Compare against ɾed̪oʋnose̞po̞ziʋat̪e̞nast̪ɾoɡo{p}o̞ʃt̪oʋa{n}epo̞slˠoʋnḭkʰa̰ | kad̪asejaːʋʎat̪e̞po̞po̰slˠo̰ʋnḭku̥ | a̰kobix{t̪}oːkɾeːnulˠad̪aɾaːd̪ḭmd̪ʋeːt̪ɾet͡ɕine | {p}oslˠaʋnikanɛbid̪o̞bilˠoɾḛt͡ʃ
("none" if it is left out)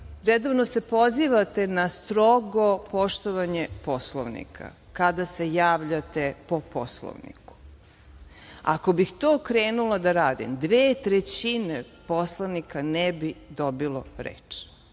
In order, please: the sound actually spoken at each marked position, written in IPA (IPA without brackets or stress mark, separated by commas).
p, ɲ, t̪, p